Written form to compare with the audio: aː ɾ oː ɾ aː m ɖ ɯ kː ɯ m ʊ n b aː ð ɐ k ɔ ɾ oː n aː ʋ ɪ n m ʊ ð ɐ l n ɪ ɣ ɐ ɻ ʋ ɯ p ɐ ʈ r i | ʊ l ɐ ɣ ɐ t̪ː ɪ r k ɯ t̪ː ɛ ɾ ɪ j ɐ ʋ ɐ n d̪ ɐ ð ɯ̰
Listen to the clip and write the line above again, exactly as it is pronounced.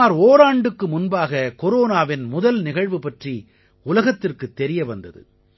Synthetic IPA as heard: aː ɾ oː ɾ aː ɳ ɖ ɯ kː ɯ m ʊ n b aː ɣ ɐ k ɔ ɾ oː n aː ʋ ɪ n m ʊ ð ɐ l n ɪ ɣ ɐ ɻ ʋ ɯ p ɐ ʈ r i | ʊ l ɐ ɣ ɐ t̪ː ɪ r k ɯ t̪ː ɛ ɾ ɪ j ɐ ʋ ɐ n d̪ ɐ ð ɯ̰